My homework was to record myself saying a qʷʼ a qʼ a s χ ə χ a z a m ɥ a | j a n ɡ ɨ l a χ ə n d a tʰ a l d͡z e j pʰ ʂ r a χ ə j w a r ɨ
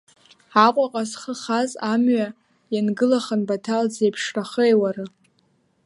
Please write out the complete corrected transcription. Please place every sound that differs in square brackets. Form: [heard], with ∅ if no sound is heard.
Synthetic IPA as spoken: a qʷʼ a qʼ a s χ ə χ a z a m ɥ a | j a n ɡ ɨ l a χ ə n [b] a tʰ a l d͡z e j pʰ ʂ r a χ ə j w a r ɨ